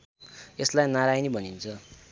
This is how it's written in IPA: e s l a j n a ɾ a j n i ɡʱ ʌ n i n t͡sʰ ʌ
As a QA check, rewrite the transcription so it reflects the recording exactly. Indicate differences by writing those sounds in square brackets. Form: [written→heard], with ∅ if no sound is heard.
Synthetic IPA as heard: e s l a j n a ɾ a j n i [ɡʱ→bʱ] ʌ n i n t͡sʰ ʌ